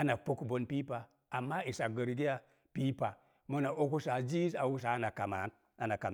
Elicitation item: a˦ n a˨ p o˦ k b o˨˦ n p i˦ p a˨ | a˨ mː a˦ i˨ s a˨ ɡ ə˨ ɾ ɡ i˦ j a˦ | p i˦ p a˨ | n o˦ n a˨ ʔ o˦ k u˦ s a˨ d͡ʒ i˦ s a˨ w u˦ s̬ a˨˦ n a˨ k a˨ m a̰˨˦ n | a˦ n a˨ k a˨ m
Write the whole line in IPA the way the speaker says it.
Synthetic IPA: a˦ n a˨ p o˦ k b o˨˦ n p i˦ p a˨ | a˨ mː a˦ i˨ s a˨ ɡ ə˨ ɾ ɡ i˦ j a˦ | p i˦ p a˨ | m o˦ n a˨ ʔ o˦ k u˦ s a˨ d͡ʒ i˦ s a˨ w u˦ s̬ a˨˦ n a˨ k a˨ m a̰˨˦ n | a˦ n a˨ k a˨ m